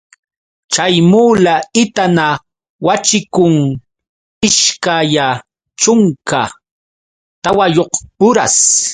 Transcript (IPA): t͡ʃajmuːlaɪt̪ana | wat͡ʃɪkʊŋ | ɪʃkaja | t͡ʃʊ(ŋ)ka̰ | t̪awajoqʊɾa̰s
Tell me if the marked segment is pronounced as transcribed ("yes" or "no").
yes